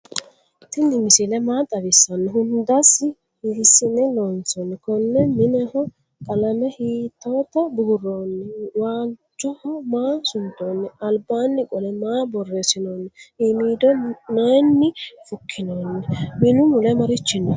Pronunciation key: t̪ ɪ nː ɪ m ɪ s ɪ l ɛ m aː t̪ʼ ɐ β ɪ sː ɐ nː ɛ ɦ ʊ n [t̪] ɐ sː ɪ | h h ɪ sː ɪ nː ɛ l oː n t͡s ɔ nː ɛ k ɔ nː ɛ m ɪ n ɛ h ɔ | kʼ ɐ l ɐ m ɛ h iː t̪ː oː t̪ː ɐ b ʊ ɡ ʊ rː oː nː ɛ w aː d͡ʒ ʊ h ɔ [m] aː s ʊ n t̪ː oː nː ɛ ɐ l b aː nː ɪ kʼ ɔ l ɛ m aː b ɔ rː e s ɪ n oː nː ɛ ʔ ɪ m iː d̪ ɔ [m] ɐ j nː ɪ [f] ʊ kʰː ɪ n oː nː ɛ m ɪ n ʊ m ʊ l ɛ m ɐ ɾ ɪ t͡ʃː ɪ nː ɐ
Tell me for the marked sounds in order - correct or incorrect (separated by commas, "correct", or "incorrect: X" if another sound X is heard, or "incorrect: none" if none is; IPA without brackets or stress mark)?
incorrect: d̪, correct, incorrect: n, correct